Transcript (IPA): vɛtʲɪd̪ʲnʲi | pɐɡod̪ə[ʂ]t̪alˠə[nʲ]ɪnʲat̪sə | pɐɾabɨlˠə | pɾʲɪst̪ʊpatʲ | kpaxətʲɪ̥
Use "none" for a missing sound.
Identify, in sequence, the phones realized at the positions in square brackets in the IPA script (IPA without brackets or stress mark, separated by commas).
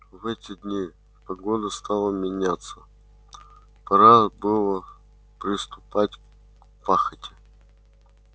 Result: s, mʲ